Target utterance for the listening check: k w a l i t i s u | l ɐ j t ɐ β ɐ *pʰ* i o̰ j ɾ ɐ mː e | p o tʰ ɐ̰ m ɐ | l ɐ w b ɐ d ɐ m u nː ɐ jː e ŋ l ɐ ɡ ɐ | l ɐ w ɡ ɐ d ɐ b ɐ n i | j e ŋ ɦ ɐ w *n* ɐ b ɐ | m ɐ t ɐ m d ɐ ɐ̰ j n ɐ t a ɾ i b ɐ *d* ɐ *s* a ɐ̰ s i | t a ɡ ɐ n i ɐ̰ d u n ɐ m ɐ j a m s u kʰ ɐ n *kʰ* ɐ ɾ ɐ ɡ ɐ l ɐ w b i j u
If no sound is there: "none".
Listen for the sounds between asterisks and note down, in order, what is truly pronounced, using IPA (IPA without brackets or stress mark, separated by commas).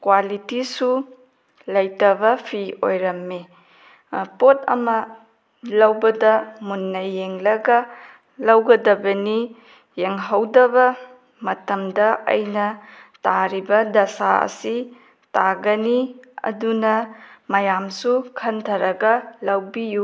pʰ, d, d, s, tʰ